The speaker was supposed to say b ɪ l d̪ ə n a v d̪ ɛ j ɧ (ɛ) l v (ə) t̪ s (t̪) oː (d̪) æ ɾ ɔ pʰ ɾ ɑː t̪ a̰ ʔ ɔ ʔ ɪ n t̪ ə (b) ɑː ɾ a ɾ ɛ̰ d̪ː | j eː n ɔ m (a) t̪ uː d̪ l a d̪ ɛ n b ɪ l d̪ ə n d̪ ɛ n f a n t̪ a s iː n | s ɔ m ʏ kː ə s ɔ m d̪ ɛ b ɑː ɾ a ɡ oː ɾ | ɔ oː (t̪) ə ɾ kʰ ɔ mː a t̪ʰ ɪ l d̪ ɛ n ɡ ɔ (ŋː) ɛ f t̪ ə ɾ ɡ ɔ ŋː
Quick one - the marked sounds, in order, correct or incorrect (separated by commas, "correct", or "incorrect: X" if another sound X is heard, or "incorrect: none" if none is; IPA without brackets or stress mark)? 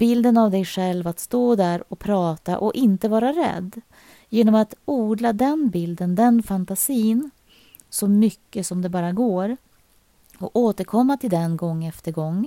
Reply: correct, incorrect: a, correct, correct, incorrect: v, correct, correct, correct